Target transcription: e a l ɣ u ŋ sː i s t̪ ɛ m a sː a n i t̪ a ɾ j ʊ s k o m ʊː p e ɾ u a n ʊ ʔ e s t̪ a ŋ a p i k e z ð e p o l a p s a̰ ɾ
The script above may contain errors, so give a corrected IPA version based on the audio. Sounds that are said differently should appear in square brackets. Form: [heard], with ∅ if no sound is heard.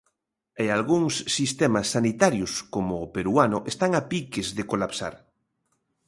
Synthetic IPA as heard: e a l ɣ u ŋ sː i s t̪ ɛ m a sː a n i t̪ a ɾ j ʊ s k o m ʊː p e ɾ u a n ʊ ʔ e s t̪ a ŋ a p i k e z ð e [k] o l a p s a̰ ɾ